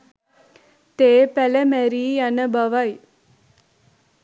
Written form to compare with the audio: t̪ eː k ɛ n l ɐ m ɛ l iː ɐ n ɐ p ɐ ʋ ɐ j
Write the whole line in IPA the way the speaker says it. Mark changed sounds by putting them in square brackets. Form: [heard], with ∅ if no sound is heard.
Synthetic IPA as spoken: t̪ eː [p] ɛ [∅] l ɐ m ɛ [ɾ] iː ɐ n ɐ [b] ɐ ʋ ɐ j